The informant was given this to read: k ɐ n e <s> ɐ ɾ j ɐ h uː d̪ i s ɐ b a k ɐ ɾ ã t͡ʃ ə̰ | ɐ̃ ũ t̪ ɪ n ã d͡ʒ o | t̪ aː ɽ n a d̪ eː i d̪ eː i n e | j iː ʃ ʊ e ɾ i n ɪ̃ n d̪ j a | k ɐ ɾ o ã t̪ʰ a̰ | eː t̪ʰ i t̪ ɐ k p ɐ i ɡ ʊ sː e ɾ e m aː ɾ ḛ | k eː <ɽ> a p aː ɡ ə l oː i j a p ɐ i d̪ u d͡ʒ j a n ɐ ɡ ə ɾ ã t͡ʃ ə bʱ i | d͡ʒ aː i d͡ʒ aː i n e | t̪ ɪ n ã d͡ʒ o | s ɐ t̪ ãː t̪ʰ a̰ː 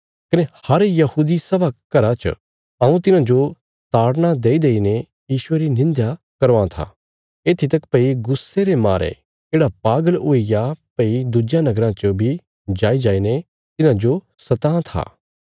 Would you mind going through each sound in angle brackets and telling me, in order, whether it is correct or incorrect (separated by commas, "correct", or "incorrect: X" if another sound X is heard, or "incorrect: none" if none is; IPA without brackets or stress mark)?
incorrect: h, correct